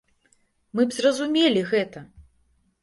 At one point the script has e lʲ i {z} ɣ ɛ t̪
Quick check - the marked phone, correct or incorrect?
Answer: incorrect